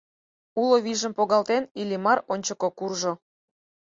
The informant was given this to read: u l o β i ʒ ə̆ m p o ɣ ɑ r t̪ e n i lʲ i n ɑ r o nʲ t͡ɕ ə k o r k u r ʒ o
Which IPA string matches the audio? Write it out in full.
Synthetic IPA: u l o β i ʒ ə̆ m p o ɣ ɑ l t̪ e n i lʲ i m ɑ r o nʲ t͡ɕ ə k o k u r ʒ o